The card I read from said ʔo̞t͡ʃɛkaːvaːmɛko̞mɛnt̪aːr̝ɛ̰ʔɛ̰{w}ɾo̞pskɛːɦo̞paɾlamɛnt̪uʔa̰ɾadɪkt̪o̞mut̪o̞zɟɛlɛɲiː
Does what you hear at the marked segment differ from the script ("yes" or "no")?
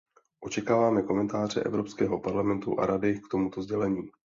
yes